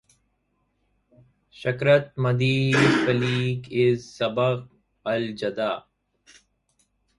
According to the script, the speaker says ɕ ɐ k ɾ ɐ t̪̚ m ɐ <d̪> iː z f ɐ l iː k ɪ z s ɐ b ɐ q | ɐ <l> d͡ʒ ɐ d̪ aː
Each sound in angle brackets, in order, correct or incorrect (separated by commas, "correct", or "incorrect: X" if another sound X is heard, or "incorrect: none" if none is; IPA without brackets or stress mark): correct, correct